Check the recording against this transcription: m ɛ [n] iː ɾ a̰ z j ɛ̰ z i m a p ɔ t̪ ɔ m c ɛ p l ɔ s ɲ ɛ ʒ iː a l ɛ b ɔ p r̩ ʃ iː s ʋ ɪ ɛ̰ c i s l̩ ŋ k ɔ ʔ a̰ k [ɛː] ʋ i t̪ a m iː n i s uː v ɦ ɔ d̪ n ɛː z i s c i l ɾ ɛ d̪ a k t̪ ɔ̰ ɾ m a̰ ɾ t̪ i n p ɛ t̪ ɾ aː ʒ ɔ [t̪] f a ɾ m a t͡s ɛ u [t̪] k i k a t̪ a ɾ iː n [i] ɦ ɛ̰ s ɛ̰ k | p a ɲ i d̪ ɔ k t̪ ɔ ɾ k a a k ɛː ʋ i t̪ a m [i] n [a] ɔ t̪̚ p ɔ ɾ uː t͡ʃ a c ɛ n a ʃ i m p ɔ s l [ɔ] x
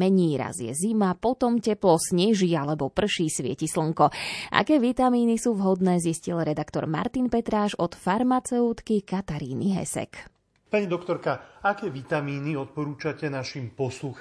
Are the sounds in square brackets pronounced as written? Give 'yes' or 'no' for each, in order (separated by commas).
no, yes, yes, yes, yes, no, no, no